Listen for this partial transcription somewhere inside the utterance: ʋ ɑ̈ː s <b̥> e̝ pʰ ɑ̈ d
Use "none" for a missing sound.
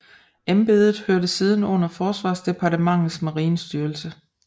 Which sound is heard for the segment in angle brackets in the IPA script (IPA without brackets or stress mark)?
d̥